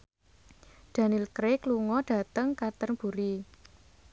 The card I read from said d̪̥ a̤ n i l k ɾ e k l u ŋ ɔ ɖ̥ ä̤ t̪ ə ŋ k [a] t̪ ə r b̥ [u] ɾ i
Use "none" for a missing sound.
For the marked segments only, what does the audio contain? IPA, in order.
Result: a, u

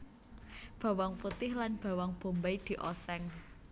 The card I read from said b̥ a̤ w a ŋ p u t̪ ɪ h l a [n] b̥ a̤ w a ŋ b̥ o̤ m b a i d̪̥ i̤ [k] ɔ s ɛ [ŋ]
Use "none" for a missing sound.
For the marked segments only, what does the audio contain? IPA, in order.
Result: n, ʔ, ŋ

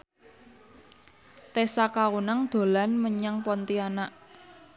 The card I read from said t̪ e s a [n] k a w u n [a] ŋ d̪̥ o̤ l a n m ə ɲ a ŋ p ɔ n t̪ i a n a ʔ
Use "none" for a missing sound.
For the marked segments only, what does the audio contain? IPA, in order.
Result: none, a

